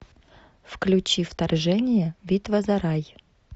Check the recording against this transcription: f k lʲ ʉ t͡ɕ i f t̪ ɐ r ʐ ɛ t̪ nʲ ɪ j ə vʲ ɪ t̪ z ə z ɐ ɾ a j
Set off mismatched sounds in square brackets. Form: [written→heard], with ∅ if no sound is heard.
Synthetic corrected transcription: f k lʲ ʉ t͡ɕ i f t̪ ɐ r ʐ ɛ [t̪→∅] nʲ ɪ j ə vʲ [ɪ→i] t̪ [z→v] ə z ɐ ɾ a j